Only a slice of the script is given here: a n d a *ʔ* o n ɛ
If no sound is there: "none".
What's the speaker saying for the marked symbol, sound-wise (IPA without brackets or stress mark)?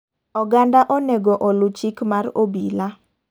ʔ